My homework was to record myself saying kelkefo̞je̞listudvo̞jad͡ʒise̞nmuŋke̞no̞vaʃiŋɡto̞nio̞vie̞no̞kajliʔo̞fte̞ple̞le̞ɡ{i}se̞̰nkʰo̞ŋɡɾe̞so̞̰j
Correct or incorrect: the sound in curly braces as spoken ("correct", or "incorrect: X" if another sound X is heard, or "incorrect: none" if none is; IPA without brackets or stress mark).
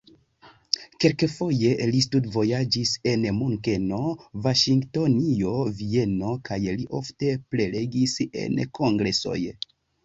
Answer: correct